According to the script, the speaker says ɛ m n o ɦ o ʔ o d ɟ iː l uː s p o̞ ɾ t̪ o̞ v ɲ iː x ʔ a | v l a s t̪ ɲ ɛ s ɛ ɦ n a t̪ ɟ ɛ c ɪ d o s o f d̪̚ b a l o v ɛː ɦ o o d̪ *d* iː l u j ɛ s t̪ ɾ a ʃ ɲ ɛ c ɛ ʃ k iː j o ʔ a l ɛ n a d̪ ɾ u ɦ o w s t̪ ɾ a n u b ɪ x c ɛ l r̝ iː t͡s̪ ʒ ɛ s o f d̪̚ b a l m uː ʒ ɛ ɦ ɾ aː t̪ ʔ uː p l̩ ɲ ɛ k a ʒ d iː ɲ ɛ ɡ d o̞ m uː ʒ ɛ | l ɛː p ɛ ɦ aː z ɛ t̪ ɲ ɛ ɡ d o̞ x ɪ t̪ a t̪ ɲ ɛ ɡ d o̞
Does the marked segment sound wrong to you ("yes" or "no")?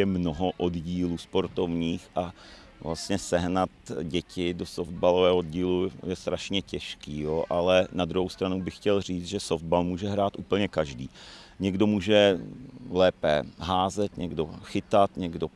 yes